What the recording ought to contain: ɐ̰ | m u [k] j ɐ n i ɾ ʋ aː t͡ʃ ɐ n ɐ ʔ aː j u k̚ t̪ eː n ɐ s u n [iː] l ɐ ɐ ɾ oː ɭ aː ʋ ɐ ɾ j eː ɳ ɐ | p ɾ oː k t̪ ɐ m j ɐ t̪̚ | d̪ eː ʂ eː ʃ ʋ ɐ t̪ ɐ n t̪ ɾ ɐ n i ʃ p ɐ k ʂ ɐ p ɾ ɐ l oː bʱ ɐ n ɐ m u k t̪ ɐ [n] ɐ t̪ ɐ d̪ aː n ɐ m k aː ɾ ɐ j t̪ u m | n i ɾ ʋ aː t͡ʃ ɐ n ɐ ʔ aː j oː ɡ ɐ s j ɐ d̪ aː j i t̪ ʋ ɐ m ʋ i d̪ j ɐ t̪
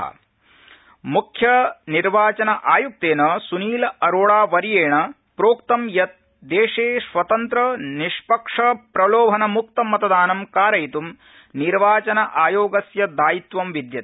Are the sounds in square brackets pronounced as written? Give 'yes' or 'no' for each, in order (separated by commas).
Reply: no, yes, no